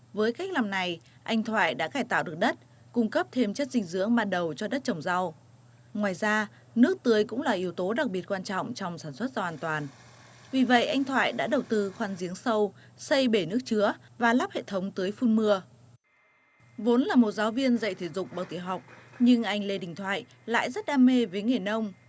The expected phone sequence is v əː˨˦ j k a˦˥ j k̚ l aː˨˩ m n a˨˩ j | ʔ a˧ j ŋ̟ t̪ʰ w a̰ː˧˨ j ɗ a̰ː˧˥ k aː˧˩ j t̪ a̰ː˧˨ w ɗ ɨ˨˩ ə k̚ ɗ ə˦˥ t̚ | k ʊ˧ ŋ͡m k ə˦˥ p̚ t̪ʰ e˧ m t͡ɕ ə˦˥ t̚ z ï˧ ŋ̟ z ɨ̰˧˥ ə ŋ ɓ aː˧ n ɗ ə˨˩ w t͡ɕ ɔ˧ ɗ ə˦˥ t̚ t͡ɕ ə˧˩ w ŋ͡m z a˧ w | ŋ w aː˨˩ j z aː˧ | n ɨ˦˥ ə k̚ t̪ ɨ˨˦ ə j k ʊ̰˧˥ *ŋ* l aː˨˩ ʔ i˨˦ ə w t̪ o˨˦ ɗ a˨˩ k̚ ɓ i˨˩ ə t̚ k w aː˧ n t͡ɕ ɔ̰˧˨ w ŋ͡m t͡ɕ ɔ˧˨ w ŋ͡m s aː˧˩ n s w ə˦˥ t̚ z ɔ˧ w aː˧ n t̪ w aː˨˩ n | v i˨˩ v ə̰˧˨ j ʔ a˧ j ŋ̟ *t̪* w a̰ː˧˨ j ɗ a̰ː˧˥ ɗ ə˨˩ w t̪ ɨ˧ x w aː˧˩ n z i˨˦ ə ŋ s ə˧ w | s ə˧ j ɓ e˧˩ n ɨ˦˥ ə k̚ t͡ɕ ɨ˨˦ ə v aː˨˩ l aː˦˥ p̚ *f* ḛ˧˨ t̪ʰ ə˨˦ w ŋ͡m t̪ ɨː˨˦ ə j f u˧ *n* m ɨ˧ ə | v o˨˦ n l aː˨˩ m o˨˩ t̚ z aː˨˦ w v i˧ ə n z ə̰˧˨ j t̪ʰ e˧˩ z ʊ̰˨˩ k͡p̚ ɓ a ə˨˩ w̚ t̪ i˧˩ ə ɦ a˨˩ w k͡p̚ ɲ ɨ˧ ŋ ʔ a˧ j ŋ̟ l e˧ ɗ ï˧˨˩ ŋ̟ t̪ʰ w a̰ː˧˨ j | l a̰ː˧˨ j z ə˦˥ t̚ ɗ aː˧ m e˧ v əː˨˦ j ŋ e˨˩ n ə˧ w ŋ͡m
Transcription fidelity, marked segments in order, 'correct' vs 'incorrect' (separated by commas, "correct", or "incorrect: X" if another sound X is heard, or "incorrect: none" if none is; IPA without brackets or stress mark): incorrect: ŋ͡m, incorrect: t̪ʰ, incorrect: h, correct